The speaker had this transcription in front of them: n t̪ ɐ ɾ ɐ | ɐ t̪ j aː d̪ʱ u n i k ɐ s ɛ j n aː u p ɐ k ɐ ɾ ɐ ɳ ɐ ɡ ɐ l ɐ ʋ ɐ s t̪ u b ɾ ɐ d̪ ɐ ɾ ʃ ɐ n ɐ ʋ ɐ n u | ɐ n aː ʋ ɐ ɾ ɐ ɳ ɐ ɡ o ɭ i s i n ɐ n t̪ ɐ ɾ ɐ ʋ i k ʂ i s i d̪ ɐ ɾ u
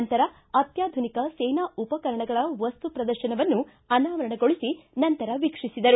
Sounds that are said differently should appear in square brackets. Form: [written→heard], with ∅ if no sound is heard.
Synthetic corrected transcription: n t̪ ɐ ɾ ɐ | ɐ t̪ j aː d̪ʱ u n i k ɐ s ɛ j n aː u p ɐ k ɐ ɾ ɐ ɳ ɐ ɡ ɐ [l→ɭ] ɐ ʋ ɐ s t̪ u [b→p] ɾ ɐ d̪ ɐ ɾ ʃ ɐ n ɐ ʋ ɐ [n→nː] u | ɐ n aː ʋ ɐ ɾ ɐ ɳ ɐ ɡ o ɭ i s i n ɐ n t̪ ɐ ɾ ɐ ʋ i k ʂ i s i d̪ ɐ ɾ u